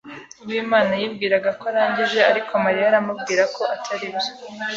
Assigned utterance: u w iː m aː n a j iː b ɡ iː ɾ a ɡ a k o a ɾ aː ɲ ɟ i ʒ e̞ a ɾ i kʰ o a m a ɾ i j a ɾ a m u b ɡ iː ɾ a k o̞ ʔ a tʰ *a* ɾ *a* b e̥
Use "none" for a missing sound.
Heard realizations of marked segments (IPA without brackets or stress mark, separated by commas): a, i